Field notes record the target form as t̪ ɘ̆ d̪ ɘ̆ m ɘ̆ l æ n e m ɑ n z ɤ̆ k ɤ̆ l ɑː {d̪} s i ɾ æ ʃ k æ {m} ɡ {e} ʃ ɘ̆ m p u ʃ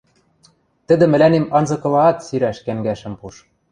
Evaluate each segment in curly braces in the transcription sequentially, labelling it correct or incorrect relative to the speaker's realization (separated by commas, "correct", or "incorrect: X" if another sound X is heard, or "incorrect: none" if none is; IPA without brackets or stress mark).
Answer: incorrect: t̪, incorrect: ŋ, incorrect: æ